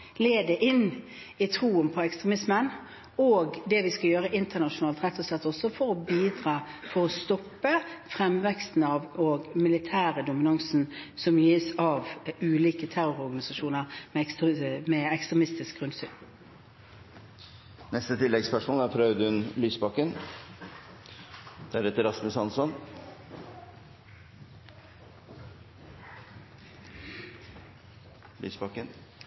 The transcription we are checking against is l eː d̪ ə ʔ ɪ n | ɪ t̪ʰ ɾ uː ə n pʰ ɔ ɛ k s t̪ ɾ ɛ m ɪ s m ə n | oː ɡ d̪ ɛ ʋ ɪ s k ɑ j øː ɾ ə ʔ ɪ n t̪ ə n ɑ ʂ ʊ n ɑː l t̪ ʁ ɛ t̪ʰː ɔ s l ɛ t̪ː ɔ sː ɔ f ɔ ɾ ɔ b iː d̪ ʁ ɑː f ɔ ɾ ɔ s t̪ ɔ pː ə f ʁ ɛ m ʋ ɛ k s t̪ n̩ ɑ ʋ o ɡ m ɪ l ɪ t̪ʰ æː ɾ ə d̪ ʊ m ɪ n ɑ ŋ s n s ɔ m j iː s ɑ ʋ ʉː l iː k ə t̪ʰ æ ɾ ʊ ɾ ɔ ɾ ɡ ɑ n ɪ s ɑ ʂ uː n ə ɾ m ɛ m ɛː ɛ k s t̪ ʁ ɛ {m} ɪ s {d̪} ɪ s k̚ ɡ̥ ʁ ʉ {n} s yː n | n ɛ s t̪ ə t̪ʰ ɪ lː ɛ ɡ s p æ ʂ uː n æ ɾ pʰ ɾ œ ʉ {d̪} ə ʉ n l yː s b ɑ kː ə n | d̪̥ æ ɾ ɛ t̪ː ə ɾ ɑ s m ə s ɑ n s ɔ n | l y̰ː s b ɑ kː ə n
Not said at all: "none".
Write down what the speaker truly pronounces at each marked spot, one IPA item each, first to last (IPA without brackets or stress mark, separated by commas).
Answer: m, t̪, n, d̪